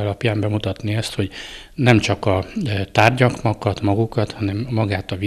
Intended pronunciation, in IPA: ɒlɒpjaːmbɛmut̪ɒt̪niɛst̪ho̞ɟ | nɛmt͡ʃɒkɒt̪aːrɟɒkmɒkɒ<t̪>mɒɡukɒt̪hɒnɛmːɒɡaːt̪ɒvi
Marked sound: correct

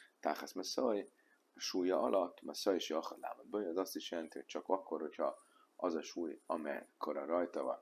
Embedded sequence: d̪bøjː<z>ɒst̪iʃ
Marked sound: correct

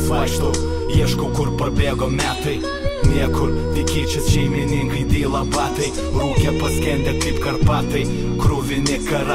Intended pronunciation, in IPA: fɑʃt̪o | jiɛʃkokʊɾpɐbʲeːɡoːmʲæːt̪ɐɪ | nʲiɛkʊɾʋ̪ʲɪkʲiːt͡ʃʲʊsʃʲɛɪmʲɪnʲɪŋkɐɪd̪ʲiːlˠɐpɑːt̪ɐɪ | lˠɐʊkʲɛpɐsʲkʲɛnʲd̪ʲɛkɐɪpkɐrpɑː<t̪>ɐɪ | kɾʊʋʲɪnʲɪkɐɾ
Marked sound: correct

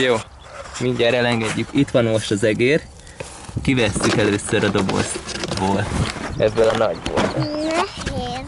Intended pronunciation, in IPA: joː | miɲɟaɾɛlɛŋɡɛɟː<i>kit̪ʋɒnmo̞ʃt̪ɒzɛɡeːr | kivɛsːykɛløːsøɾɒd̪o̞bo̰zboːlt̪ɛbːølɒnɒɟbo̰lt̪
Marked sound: incorrect: y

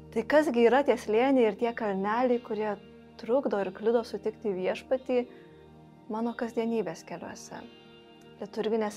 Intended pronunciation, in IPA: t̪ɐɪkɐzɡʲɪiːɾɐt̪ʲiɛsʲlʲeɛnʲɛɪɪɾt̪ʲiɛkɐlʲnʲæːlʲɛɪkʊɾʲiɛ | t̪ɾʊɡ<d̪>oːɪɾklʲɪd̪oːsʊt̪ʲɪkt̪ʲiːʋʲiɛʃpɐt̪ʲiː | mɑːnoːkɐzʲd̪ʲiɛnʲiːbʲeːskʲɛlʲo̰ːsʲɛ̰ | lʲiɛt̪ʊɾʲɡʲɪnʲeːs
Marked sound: correct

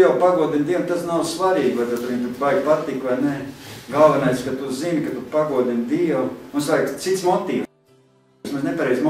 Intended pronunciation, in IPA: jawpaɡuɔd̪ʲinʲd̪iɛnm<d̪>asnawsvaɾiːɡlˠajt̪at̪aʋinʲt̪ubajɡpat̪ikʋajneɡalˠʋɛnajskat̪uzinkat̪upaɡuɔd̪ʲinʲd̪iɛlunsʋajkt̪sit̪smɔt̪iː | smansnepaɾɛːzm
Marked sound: incorrect: t̪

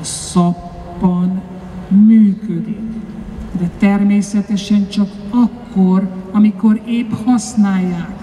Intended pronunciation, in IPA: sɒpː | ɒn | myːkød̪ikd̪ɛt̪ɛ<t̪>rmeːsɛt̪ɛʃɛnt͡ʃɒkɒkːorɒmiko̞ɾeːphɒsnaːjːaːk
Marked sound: incorrect: none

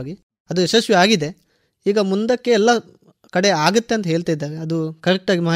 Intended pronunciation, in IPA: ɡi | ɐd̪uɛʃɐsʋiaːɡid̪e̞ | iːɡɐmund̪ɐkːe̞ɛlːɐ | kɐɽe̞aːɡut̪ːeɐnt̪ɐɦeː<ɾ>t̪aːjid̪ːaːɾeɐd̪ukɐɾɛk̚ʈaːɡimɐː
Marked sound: incorrect: ɭ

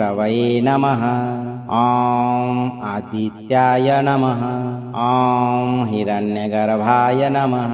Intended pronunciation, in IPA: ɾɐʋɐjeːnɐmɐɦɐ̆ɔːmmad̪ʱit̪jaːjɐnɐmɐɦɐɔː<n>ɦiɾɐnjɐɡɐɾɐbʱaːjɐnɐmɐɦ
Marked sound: incorrect: m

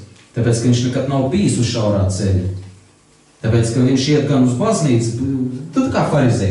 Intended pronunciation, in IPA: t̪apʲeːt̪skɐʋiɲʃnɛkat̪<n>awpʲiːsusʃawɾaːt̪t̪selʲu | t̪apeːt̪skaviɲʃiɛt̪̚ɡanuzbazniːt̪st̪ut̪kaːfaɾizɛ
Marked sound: correct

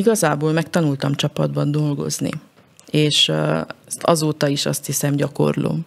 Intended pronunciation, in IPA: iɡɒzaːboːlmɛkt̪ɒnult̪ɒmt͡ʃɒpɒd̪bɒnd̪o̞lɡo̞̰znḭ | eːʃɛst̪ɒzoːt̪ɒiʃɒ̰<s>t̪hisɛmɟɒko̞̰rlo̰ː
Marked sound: correct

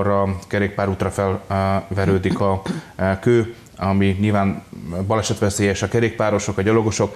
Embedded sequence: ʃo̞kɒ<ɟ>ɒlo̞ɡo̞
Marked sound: correct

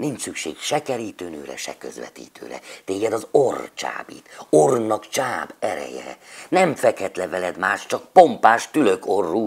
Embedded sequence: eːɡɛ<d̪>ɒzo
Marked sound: correct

